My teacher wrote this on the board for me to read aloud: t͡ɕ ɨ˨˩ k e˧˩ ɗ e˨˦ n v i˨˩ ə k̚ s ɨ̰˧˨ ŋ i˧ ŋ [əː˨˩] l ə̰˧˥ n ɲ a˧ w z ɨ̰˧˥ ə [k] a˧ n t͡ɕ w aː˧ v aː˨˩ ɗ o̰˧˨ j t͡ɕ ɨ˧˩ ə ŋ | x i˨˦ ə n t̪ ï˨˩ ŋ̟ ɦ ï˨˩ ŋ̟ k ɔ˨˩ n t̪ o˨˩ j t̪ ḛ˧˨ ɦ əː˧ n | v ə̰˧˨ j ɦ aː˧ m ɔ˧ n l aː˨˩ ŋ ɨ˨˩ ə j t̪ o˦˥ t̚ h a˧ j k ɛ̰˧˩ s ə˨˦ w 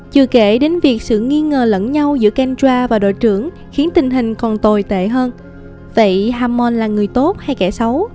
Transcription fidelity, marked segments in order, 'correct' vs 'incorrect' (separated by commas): correct, correct